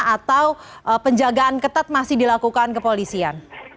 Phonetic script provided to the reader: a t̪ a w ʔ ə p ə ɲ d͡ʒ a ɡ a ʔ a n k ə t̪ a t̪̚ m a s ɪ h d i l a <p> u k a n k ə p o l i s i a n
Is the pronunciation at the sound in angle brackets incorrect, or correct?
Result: incorrect: k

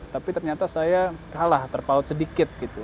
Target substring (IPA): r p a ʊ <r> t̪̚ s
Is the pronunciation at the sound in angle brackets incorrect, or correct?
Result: incorrect: none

